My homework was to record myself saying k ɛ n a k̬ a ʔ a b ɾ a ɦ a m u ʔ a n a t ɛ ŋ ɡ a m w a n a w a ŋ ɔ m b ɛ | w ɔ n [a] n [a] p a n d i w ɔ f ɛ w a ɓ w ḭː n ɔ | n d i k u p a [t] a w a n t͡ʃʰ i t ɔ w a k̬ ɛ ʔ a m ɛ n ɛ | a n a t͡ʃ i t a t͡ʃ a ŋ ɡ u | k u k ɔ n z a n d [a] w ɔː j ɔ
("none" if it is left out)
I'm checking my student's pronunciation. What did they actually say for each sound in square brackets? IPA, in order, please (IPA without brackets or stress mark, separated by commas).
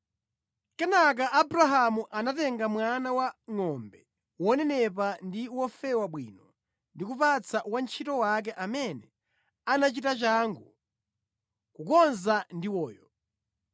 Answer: ɛ, ɛ, t͡s, i